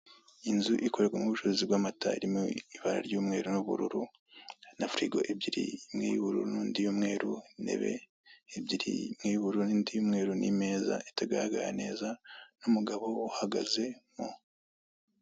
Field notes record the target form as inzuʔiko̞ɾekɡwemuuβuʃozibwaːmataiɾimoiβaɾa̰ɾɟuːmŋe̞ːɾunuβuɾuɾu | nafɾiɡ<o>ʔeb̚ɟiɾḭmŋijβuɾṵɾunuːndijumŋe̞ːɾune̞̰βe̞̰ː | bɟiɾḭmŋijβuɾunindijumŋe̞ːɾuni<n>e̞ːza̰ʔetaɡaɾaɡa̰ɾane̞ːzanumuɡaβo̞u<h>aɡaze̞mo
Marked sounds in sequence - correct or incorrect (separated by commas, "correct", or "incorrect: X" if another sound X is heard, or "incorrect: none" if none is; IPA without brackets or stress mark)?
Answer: correct, incorrect: m, correct